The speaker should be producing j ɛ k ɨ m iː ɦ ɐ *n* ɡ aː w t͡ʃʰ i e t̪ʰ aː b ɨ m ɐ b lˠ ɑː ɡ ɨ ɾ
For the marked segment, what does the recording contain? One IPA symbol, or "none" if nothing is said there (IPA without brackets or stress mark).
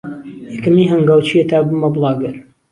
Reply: ŋ